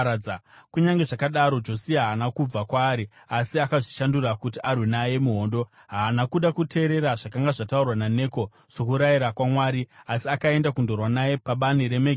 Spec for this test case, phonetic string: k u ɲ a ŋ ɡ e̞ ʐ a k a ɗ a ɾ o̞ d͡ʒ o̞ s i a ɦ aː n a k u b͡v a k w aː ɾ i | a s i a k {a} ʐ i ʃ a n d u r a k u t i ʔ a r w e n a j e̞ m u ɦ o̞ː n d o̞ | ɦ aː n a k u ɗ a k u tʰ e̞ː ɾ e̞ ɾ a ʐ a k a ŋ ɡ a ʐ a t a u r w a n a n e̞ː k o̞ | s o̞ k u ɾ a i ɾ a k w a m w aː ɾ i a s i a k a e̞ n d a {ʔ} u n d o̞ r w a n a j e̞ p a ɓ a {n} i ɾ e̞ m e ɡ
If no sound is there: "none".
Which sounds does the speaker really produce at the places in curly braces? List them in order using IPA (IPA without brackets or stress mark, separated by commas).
a, k, n